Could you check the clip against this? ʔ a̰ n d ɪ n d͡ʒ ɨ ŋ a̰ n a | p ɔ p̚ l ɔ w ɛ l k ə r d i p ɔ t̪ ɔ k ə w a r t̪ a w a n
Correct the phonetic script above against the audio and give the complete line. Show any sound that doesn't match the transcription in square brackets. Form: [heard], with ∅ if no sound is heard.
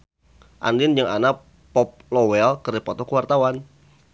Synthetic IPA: ʔ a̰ n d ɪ n d͡ʒ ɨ ŋ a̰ n a | p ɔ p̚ l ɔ w ɛ l k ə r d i p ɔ t̪ ɔ k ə w a r t̪ a w a n